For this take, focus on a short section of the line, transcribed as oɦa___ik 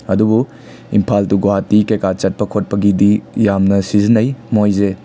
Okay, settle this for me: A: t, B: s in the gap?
A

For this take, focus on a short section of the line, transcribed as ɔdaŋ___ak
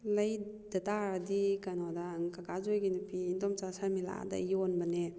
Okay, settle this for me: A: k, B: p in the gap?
A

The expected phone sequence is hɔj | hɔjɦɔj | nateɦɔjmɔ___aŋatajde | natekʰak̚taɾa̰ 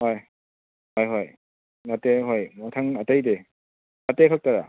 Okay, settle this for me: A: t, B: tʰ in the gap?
B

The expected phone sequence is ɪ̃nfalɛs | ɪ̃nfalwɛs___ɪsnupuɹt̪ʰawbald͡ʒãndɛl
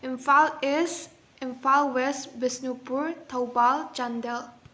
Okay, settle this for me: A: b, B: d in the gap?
A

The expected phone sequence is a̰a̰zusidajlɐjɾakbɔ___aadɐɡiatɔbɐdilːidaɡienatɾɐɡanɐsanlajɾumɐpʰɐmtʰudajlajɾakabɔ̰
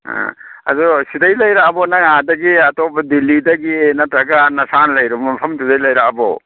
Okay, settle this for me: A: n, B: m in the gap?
A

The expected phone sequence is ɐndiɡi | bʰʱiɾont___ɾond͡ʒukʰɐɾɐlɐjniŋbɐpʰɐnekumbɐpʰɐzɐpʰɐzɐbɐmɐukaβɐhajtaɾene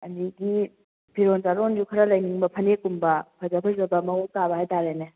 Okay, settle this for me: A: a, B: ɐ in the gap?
A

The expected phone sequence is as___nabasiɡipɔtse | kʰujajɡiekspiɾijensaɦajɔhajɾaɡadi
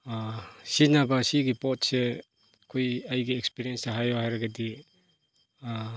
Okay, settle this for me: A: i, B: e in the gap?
A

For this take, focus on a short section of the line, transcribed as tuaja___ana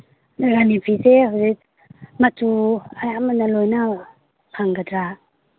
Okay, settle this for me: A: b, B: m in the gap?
B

